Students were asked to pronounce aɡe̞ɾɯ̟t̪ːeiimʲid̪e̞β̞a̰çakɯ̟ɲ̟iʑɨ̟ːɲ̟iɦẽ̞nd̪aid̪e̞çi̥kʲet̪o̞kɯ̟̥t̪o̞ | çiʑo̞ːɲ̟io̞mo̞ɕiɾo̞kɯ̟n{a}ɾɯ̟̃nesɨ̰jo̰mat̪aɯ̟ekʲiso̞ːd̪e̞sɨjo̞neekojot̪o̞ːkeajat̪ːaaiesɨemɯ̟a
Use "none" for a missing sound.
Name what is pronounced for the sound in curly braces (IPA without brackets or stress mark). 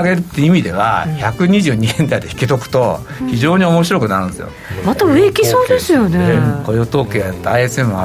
a